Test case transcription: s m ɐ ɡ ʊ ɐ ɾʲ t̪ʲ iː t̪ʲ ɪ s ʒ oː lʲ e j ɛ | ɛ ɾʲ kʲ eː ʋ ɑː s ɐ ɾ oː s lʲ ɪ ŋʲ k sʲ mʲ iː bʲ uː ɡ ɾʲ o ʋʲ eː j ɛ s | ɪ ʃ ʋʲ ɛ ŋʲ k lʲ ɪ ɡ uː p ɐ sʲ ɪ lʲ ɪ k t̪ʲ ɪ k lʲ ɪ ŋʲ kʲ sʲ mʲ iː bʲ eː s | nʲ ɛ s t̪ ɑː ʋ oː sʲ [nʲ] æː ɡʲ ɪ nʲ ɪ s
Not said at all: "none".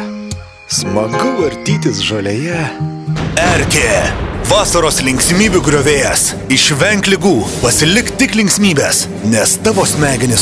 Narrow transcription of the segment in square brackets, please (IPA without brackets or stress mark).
mʲ